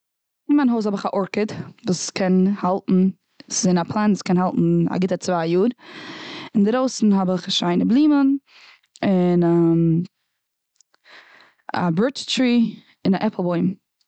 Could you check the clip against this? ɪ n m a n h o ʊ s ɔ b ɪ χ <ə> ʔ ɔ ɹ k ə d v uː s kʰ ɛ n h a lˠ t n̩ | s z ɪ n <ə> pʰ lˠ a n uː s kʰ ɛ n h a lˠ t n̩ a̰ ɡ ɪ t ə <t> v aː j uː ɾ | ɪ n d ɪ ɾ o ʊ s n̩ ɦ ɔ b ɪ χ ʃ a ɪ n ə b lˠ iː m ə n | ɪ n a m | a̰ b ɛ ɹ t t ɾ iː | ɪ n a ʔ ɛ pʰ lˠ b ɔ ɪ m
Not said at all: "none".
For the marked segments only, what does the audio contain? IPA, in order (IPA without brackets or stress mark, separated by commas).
a, a, t͡s